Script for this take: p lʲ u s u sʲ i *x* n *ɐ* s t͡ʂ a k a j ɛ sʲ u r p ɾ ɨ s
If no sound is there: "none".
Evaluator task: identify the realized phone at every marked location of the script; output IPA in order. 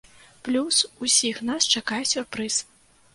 x, a

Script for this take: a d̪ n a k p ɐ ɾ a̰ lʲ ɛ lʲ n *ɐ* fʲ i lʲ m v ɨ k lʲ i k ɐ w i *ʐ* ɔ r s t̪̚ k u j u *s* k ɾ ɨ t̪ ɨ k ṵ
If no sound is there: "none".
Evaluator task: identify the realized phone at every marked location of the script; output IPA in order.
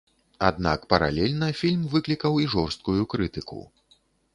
ɐ, ʐ, none

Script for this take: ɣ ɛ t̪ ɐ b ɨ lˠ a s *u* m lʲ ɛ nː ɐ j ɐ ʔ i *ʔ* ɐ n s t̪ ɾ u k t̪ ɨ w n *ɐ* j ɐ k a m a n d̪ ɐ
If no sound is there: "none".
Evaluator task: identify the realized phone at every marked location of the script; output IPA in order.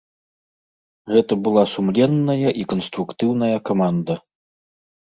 u, k, ɐ

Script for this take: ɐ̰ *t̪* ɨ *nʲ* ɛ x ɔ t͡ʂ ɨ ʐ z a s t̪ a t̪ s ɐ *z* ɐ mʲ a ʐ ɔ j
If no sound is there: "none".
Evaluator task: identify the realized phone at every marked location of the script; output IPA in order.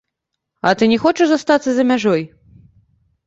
t̪, nʲ, z

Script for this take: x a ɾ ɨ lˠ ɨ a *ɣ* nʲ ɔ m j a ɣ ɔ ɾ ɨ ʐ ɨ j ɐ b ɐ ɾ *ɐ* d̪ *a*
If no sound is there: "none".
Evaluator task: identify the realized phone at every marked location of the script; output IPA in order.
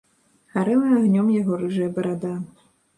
ɣ, a, a

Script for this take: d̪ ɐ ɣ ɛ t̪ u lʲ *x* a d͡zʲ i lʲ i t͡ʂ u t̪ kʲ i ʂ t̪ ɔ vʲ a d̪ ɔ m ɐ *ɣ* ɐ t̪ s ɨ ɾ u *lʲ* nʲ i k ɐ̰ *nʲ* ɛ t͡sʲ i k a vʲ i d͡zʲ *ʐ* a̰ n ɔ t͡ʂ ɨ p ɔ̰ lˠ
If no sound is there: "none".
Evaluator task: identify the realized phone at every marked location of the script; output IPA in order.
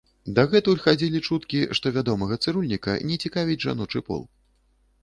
x, ɣ, lʲ, nʲ, ʐ

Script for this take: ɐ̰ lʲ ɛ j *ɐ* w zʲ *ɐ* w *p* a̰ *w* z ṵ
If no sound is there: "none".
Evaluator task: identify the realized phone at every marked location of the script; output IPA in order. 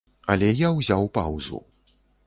a, a, p, w

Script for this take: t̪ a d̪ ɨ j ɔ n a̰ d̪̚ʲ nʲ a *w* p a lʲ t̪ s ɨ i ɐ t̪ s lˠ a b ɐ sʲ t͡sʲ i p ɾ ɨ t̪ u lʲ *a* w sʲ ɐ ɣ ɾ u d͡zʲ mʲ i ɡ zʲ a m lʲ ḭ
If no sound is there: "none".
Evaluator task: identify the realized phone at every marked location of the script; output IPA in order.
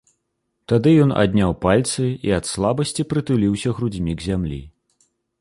w, i

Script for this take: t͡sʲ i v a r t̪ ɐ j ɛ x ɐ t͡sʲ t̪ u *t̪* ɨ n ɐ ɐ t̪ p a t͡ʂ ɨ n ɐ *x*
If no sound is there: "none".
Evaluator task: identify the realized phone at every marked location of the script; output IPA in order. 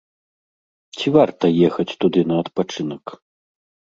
d̪, k

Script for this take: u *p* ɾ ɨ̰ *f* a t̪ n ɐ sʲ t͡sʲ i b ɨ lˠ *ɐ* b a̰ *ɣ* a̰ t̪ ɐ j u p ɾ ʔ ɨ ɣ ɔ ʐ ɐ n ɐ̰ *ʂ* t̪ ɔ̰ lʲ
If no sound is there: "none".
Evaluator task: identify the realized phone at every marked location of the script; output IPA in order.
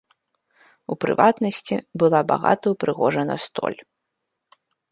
p, v, a, ɣ, s

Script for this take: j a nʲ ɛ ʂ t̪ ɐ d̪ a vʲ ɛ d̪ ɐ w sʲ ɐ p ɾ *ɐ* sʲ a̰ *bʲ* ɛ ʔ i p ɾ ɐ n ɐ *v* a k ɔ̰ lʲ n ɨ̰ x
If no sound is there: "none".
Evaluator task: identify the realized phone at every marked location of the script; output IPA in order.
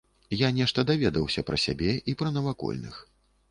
ɐ, bʲ, v

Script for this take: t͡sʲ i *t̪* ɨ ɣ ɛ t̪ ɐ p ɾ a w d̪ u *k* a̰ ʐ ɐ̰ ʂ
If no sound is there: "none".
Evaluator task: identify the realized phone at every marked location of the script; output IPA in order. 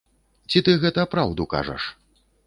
t̪, k

